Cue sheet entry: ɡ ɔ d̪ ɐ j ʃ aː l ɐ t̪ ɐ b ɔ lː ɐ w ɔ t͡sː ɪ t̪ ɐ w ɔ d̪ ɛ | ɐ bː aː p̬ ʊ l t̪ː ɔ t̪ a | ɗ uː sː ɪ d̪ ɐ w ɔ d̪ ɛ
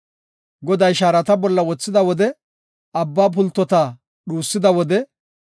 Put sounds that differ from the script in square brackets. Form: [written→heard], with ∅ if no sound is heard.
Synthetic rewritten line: ɡ ɔ d̪ ɐ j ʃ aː [l→ɾ] ɐ t̪ ɐ b ɔ lː ɐ w ɔ t͡sː ɪ [t̪→d̪] ɐ w ɔ d̪ ɛ | ɐ bː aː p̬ ʊ l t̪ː ɔ t̪ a | ɗ uː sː ɪ d̪ ɐ w ɔ d̪ ɛ